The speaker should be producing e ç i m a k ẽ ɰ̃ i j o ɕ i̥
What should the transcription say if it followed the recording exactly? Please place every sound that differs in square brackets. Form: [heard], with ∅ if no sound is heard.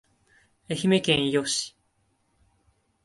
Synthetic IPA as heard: e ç i m [e] k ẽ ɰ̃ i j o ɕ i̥

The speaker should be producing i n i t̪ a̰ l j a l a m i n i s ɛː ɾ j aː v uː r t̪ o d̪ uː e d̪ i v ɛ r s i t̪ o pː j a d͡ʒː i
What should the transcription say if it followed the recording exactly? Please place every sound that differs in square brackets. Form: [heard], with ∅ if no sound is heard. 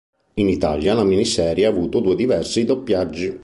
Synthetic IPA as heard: i n i t̪ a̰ l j a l a m i n i s ɛː ɾ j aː v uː [∅] t̪ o d̪ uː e d̪ i v ɛ r s i [d̪] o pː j a d͡ʒː i

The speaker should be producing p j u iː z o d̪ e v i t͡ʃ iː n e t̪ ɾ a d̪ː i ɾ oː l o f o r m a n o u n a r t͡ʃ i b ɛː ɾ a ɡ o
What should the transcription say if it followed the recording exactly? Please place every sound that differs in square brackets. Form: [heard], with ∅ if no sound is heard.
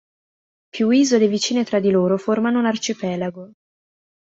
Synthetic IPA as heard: p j u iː z o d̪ e v i t͡ʃ iː n e t̪ ɾ a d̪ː i [l] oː [ɾ] o f o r m a n o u n a r t͡ʃ i [p] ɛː [l] a ɡ o

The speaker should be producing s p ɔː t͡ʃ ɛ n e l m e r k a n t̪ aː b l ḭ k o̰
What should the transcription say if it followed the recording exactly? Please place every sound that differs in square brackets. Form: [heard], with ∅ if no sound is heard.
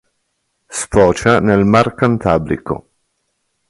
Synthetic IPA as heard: s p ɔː t͡ʃ [a] n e l m [a] r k a n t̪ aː b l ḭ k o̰

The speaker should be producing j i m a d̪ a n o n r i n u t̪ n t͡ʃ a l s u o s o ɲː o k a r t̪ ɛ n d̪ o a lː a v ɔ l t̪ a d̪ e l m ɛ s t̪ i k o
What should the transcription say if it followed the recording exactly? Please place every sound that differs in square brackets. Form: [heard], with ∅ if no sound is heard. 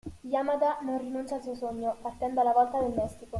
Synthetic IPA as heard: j [a] m a d̪ a n o n r i n u [∅] n t͡ʃ a l s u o s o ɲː o [p] a r t̪ ɛ n d̪ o a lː a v ɔ l t̪ a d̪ e l m ɛ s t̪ i k o

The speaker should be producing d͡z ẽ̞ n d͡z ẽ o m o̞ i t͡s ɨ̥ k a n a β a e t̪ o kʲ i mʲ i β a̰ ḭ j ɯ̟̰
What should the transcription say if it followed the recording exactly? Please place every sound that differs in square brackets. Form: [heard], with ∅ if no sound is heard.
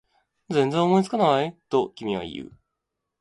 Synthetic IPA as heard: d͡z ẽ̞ n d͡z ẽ o m o̞ i t͡s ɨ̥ k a n a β a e t̪ o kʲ i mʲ i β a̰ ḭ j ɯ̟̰

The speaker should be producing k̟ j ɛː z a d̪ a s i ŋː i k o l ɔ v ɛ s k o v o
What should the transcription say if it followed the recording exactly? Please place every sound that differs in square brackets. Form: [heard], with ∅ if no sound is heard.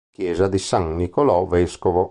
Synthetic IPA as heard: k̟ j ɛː z a d̪ [i] s [a] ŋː i k o l ɔ v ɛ s k o v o

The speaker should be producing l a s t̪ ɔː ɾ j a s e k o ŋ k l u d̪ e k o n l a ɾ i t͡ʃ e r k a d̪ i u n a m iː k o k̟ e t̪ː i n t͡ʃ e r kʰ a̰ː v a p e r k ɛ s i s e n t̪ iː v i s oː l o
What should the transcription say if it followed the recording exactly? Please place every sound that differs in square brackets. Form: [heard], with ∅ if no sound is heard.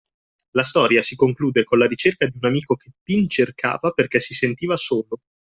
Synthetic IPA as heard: l a s t̪ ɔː ɾ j a s [i] k o ŋ k l [uː] d̪ e k o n l a ɾ i t͡ʃ e r k a d̪ i u n a m iː k o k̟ e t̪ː i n t͡ʃ e r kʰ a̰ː v a p e r k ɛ s i s e n t̪ iː v [a] s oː l o

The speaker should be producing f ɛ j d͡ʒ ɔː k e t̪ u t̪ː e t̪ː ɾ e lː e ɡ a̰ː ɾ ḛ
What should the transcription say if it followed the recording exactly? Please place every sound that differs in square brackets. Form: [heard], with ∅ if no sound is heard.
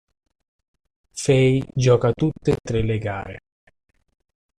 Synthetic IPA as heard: f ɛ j d͡ʒ ɔː k [a] t̪ u t̪ː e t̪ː ɾ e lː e ɡ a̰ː ɾ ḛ

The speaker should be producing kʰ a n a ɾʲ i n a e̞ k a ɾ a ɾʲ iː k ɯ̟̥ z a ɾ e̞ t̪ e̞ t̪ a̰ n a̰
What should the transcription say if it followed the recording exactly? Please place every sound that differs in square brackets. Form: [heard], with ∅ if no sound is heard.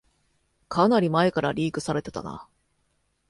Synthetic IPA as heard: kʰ a n a ɾʲ i [m] a e̞ k a ɾ a ɾʲ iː k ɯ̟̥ [s] a ɾ e̞ t̪ e̞ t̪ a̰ n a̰

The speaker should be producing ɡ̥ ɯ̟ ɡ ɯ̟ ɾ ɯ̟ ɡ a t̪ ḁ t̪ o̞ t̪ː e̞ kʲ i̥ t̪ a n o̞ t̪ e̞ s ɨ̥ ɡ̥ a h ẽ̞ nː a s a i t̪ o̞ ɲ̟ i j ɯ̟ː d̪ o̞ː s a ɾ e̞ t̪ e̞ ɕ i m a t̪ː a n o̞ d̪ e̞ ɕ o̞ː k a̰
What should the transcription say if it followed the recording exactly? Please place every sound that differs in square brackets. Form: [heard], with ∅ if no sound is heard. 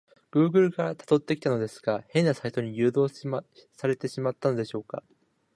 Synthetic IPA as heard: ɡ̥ [ɯ̟ː] ɡ ɯ̟ ɾ ɯ̟ ɡ a t̪ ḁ t̪ o̞ t̪ː e̞ kʲ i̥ t̪ a n o̞ [d̪] e̞ s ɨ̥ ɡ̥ a h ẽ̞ nː a s a i t̪ o̞ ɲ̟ i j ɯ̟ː d̪ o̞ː s a ɾ e̞ t̪ e̞ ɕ i m a t̪ː a n o̞ d̪ e̞ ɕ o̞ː k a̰

